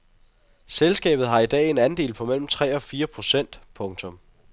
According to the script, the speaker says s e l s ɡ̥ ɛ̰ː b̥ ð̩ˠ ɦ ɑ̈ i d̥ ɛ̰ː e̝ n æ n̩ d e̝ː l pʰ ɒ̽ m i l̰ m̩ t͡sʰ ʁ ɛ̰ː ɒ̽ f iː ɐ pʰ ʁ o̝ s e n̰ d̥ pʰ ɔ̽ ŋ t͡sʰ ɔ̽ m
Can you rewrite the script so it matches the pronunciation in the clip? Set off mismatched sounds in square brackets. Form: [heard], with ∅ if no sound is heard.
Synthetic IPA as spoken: s e l s ɡ̥ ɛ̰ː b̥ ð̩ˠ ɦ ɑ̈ i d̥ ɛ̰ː e̝ n æ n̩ d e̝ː l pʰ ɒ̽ m [e] l̰ m̩ t͡sʰ ʁ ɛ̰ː ɒ̽ f iː ɐ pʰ ʁ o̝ s e n̰ d̥ pʰ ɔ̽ ŋ t͡sʰ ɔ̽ m